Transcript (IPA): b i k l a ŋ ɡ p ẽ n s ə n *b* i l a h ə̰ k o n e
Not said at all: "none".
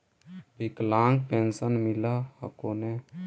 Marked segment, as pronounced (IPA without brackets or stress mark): m